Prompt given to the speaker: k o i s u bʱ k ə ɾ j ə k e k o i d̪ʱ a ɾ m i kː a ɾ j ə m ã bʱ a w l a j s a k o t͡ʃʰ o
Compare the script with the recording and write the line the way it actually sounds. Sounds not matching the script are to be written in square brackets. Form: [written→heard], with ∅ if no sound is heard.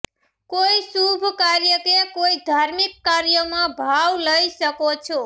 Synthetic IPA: k o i s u bʱ k [ə→a] ɾ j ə k e k o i d̪ʱ a ɾ m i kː a ɾ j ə m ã bʱ a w l [a→ə] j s [a→ə] k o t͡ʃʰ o